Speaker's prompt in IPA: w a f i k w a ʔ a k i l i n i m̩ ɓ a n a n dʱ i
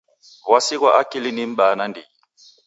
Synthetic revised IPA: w a s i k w a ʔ a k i l i n i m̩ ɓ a n a n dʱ i